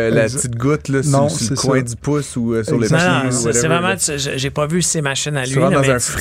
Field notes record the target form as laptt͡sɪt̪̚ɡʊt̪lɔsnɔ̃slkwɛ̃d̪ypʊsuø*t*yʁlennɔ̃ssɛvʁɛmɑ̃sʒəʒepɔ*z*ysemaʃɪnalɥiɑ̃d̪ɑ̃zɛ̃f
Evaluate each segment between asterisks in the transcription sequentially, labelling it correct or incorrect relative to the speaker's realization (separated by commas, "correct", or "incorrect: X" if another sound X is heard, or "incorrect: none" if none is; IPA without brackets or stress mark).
incorrect: s, incorrect: v